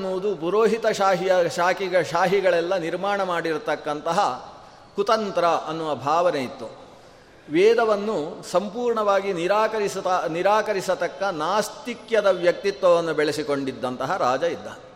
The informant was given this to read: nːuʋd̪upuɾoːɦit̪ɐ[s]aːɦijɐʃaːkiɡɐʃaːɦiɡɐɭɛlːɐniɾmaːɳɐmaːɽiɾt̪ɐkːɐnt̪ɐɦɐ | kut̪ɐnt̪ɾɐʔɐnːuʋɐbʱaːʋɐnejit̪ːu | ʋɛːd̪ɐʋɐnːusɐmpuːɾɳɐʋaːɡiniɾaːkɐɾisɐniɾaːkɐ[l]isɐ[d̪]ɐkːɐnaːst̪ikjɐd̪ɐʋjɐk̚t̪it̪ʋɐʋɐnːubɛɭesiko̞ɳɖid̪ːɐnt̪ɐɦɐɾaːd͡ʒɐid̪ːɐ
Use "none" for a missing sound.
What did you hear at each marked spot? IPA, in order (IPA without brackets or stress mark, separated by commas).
ʃ, ɾ, t̪